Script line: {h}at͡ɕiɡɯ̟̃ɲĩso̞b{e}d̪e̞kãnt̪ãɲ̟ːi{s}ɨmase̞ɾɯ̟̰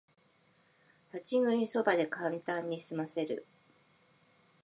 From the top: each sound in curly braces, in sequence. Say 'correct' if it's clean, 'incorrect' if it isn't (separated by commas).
correct, incorrect, correct